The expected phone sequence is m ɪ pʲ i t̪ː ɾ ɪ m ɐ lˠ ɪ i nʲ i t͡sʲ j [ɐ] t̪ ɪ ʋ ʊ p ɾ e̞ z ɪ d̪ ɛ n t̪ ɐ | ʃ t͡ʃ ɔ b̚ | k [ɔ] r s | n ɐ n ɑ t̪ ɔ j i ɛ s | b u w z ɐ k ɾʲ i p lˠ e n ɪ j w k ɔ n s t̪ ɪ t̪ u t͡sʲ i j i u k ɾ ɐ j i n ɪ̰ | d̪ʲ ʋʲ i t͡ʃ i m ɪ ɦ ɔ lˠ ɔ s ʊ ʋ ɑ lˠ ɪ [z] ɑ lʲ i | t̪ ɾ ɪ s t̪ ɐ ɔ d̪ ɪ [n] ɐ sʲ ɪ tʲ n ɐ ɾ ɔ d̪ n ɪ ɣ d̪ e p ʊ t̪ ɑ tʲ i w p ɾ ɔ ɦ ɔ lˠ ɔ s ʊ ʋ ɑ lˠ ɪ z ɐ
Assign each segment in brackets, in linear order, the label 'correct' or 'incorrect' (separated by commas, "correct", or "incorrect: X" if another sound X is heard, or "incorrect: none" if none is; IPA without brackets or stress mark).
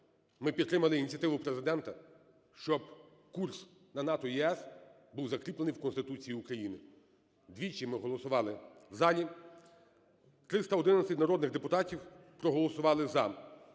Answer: correct, incorrect: u, correct, correct